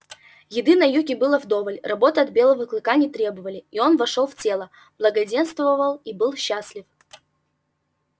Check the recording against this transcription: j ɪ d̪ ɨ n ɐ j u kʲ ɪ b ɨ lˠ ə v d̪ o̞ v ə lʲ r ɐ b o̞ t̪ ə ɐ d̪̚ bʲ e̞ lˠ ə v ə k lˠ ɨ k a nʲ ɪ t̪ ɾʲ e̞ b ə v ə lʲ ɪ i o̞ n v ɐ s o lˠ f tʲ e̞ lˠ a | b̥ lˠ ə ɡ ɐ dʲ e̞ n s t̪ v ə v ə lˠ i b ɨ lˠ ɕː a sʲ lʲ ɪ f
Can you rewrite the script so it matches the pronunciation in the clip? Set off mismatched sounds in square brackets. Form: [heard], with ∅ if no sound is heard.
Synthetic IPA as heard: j ɪ d̪ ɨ n ɐ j u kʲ ɪ b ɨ lˠ ə v d̪ o̞ v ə lʲ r ɐ b o̞ t̪ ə ɐ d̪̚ bʲ e̞ lˠ ə v ə k lˠ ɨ k a nʲ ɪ t̪ ɾʲ e̞ b ə v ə lʲ ɪ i o̞ n v ɐ [ʂ] o lˠ f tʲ e̞ lˠ [ə] | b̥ lˠ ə ɡ ɐ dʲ e̞ n s t̪ v ə v ə lˠ i b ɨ lˠ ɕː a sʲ lʲ ɪ f